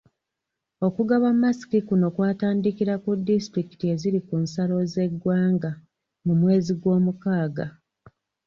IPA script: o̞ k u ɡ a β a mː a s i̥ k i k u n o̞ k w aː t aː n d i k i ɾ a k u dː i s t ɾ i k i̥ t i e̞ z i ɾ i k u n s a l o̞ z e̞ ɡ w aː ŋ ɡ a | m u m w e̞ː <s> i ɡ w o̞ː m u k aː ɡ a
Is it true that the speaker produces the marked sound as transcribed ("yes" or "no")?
no